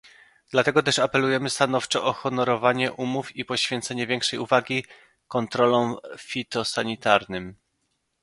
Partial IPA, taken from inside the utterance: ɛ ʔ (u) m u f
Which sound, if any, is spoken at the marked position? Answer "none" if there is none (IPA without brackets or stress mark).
u